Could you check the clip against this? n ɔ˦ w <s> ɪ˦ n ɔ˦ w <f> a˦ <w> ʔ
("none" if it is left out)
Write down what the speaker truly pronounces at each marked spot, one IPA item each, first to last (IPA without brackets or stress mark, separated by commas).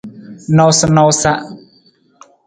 s, s, none